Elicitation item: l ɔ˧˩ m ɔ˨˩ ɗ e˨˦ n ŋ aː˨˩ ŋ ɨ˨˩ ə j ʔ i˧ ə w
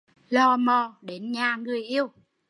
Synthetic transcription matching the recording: l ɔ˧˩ m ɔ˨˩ ɗ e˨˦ n ɲ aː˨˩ ŋ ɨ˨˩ ə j ʔ i˧ ə w